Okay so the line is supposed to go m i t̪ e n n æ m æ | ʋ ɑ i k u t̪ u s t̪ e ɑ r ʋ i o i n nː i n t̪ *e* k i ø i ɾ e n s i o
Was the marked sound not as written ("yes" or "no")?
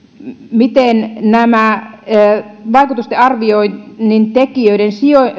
no